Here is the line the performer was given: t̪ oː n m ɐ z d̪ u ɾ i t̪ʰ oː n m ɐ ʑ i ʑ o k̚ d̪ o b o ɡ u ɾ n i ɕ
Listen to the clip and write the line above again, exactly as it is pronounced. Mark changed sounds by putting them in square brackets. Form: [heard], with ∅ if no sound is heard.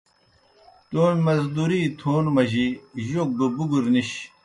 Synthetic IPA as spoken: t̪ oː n m ɐ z d̪ u ɾ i t̪ʰ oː n m ɐ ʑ i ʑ o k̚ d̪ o b [u] ɡ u ɾ n i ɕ